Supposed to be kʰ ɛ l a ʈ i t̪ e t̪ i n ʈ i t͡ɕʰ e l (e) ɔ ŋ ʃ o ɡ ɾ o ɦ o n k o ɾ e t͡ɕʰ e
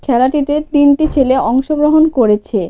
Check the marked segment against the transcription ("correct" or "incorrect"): correct